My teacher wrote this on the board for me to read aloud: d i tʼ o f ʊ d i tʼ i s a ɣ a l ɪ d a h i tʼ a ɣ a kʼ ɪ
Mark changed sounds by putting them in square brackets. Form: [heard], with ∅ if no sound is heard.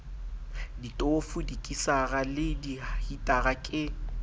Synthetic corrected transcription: d i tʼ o f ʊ d i [kʼ] i s a ɣ a l ɪ d [i] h i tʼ a ɣ a kʼ ɪ